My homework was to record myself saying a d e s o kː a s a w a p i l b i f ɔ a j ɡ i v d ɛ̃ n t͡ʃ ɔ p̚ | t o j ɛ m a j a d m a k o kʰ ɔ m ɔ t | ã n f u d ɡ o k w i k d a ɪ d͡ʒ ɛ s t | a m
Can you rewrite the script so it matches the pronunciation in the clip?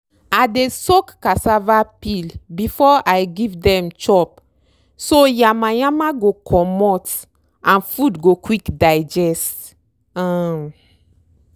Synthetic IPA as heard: a d e s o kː a s a v a p i l b i f ɔ a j ɡ i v d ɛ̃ m t͡ʃ ɔ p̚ | s o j a m a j a m a ɡ o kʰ ɔ m ɔ t | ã n f u d ɡ o k w i k d a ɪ d͡ʒ ɛ s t | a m